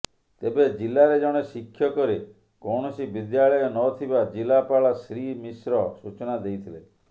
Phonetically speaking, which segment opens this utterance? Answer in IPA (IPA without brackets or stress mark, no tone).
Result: t̪